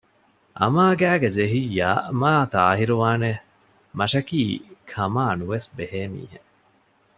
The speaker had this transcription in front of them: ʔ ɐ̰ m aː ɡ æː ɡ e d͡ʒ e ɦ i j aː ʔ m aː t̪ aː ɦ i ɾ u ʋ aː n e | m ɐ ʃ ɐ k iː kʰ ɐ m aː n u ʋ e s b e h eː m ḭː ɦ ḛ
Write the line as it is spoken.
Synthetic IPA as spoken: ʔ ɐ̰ m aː ɡ æː ɡ e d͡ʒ e ɦ i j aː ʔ m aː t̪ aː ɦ i ɾ u ʋ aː n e | m ɐ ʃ ɐ k iː kʰ ɐ m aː n u ʋ e s b e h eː m ḭː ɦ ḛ